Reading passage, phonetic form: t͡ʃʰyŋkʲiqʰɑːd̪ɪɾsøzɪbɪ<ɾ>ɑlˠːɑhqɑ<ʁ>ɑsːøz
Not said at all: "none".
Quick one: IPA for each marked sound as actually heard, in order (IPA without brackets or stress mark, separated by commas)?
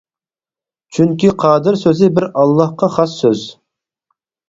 ɾ, χ